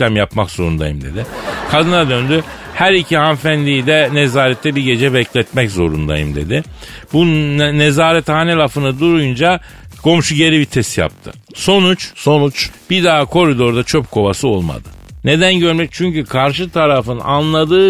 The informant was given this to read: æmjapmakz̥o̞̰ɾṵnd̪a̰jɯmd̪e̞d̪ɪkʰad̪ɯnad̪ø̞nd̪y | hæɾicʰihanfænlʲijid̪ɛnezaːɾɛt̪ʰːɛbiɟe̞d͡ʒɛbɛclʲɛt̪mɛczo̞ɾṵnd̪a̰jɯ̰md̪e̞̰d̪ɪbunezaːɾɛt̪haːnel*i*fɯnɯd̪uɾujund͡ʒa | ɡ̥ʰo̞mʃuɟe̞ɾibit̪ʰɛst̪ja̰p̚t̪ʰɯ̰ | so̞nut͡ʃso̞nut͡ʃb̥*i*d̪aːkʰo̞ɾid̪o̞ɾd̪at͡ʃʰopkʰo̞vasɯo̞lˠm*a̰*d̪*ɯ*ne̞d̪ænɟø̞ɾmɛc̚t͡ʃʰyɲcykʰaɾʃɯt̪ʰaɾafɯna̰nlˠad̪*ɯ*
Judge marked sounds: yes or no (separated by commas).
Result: no, yes, yes, yes, no